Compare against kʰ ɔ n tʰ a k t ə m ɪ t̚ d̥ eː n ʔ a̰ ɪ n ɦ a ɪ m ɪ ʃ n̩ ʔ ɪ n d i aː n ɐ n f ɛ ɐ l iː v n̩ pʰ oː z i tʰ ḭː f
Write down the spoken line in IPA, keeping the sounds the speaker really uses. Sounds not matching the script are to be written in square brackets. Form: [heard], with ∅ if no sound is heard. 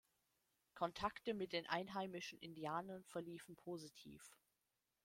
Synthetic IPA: kʰ ɔ n tʰ a k t ə m ɪ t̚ d̥ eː n ʔ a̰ ɪ n ɦ a ɪ m ɪ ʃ n̩ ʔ ɪ n d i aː n ɐ n f ɛ ɐ l iː [f] n̩ pʰ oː z i tʰ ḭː f